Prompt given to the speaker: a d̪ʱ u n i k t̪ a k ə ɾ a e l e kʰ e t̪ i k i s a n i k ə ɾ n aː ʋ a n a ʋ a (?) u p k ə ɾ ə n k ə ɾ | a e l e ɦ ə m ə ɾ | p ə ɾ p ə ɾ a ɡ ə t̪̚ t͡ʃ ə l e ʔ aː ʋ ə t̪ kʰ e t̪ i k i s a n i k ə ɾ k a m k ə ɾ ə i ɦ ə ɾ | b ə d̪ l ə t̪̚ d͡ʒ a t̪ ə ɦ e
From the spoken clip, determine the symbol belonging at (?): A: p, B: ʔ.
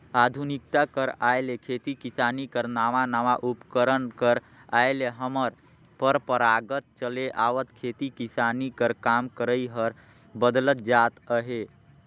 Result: B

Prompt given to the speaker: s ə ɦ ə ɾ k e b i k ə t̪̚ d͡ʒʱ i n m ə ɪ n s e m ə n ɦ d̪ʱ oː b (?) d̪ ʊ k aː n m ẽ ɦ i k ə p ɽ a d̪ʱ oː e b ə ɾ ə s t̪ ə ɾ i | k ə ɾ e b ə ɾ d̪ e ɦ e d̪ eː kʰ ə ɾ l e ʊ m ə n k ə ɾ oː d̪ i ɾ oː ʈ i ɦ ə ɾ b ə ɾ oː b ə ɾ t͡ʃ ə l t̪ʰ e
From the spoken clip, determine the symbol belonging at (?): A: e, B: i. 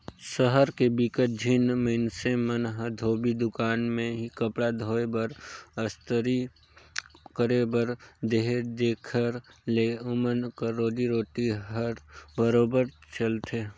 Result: B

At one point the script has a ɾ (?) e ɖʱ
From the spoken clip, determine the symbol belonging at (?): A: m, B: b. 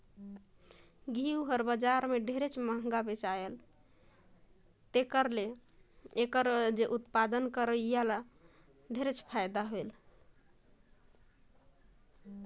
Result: A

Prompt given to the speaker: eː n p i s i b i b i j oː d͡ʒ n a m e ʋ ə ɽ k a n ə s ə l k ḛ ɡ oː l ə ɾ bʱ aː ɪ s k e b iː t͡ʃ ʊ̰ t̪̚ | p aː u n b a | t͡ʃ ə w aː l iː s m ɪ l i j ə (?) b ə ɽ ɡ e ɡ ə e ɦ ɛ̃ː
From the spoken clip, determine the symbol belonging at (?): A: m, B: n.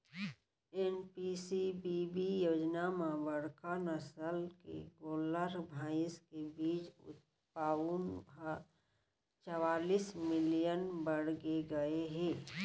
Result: B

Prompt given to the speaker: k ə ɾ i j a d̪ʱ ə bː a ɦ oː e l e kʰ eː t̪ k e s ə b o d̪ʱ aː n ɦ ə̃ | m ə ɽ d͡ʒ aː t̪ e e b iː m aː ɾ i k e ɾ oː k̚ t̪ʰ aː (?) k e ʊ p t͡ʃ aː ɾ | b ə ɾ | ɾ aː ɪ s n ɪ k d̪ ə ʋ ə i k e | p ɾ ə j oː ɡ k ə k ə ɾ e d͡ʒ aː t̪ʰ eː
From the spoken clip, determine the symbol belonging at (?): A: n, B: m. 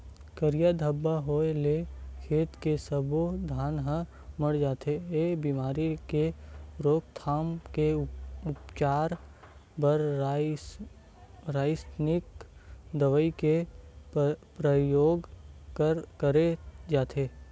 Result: B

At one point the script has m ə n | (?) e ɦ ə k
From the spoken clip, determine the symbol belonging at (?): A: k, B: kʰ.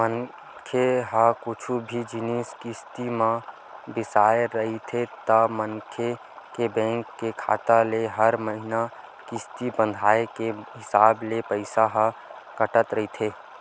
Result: B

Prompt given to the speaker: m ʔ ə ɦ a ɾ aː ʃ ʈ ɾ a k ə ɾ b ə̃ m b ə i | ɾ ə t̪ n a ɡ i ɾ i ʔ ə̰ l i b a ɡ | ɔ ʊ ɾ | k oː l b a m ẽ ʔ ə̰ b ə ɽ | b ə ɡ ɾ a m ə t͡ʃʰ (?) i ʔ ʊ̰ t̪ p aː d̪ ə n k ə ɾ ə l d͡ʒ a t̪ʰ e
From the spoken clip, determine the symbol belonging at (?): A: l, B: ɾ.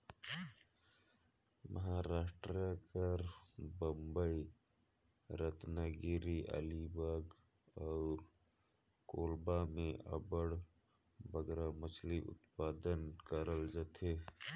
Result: A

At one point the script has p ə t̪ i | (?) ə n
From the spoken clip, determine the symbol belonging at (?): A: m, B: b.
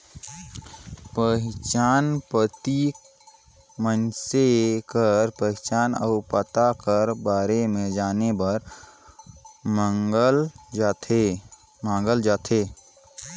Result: A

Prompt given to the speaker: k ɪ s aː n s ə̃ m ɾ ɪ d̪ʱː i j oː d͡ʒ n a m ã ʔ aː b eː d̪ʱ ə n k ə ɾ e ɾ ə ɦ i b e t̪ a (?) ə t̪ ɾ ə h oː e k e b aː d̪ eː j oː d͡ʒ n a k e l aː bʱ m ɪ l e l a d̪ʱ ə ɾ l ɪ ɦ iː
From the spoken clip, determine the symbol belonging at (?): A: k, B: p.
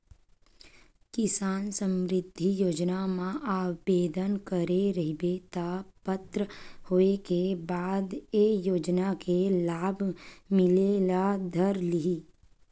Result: B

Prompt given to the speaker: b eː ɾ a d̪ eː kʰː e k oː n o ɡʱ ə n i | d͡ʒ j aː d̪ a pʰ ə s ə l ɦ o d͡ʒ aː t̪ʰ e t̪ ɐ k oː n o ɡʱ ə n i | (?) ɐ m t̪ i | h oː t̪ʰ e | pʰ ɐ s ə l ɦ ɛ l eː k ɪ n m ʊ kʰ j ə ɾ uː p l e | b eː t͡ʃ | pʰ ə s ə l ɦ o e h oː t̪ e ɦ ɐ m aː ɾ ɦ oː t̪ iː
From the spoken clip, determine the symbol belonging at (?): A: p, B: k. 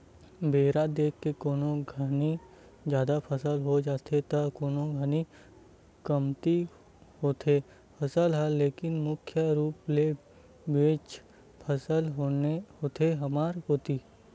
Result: B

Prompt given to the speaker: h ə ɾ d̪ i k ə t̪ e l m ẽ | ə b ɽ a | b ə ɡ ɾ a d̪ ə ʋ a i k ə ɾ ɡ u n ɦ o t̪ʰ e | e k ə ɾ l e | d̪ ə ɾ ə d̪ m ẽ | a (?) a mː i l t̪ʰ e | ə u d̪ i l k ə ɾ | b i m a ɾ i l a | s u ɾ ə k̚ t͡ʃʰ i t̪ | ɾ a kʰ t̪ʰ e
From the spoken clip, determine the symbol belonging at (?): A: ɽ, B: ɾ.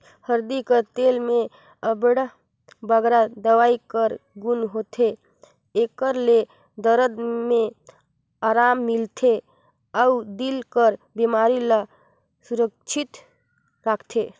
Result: B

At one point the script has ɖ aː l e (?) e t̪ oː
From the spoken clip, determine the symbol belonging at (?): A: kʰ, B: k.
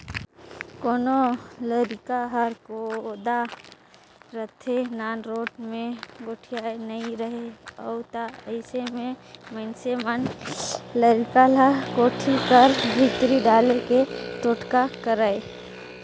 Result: B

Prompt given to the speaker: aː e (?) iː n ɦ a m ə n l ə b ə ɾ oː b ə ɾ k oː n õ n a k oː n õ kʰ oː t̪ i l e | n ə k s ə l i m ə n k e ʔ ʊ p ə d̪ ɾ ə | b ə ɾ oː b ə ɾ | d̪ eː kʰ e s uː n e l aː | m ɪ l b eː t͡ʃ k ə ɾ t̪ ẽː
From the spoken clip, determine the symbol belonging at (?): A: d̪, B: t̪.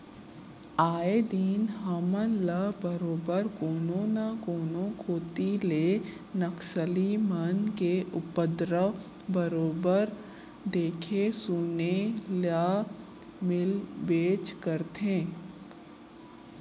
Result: A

